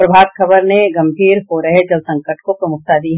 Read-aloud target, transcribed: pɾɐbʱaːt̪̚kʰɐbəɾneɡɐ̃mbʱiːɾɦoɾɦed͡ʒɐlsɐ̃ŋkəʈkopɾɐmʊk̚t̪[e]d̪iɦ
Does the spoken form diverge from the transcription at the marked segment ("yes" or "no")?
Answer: yes